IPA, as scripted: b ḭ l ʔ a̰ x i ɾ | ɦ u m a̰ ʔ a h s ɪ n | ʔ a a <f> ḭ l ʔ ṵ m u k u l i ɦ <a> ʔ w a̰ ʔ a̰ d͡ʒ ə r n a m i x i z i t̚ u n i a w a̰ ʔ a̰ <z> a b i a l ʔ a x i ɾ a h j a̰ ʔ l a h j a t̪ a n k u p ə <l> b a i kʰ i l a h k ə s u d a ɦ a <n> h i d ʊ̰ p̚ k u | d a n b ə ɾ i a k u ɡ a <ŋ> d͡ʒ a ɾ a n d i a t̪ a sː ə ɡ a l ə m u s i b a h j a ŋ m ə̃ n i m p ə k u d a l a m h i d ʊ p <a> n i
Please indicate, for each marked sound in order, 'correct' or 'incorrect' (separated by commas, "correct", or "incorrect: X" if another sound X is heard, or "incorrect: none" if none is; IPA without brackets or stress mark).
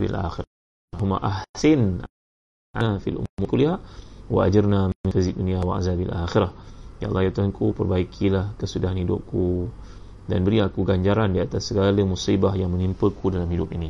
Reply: correct, correct, correct, incorrect: r, correct, incorrect: ɲ, incorrect: i